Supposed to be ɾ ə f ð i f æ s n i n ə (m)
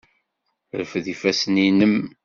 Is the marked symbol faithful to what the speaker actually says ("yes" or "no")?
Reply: yes